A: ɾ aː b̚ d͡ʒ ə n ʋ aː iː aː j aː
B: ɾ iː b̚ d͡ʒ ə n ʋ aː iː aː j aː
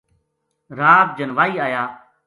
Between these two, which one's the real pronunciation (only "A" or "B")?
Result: A